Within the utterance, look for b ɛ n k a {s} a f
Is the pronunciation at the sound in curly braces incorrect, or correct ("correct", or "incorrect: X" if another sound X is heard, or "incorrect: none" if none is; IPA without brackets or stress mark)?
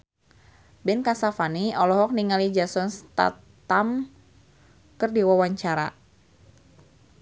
correct